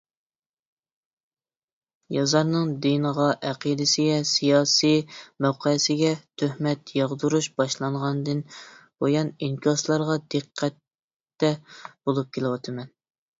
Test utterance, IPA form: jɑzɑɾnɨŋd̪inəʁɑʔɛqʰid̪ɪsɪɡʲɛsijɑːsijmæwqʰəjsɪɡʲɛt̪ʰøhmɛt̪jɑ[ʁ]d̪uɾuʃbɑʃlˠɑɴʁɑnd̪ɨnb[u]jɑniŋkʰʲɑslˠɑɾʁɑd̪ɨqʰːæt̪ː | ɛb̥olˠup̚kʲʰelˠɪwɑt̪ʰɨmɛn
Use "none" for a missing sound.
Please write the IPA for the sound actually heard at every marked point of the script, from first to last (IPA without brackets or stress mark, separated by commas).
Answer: ʁ, o